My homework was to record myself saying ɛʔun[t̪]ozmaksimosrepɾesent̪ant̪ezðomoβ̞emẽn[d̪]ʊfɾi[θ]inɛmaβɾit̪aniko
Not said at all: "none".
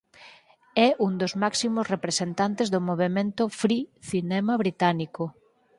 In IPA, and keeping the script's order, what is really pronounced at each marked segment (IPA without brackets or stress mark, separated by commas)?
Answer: d̪, t̪, θ